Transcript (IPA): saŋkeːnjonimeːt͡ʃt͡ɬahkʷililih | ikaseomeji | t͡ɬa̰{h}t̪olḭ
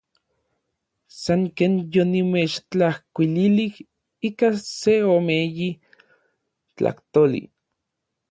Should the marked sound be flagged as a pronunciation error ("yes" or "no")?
no